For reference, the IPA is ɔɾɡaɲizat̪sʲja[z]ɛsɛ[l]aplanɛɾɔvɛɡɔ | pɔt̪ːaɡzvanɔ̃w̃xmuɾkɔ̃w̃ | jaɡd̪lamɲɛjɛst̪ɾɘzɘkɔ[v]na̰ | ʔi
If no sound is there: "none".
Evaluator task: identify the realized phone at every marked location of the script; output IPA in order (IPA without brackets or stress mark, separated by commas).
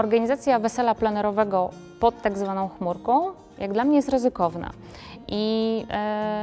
v, l, v